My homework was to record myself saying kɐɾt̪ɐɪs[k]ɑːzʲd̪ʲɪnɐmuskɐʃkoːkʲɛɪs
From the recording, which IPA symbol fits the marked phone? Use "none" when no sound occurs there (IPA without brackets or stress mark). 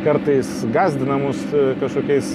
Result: ɡ